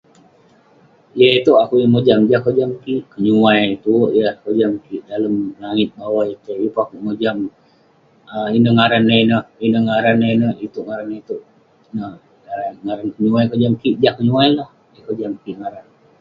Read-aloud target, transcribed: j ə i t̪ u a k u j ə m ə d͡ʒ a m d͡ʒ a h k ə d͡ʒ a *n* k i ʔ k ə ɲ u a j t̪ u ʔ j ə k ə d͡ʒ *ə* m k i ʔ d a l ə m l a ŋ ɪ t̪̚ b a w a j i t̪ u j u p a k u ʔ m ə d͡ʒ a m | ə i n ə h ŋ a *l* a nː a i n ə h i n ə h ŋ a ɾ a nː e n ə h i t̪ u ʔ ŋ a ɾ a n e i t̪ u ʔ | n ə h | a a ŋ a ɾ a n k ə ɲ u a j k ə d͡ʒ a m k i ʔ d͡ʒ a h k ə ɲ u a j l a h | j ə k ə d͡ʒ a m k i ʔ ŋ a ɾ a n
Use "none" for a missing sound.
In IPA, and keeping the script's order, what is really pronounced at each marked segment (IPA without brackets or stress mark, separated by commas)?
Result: m, a, ɾ